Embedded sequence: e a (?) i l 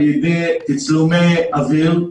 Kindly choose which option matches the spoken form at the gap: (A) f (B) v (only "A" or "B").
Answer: B